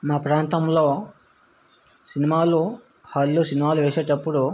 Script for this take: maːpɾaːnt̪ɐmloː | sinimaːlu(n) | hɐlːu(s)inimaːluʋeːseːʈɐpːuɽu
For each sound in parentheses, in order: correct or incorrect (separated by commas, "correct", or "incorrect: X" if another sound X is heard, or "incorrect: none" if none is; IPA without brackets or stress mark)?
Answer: incorrect: none, correct